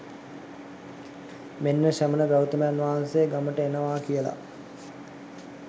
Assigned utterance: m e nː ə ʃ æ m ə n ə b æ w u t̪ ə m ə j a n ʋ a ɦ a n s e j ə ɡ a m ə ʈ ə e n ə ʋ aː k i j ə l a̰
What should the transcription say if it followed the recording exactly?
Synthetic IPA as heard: m e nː ə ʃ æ m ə n ə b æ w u t̪ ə m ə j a n ʋ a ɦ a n s e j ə ɡ a m ə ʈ ə e n ə ʋ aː k i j ə l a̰